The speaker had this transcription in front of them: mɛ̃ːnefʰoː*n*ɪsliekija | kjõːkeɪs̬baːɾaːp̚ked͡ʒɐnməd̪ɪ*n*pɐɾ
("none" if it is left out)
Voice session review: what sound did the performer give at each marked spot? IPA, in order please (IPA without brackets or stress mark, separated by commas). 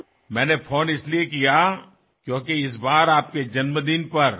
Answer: n, n